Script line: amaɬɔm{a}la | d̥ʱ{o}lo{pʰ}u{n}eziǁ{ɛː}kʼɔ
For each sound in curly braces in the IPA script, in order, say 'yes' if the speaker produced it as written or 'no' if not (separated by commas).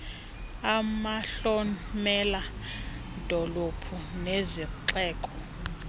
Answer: no, no, yes, yes, yes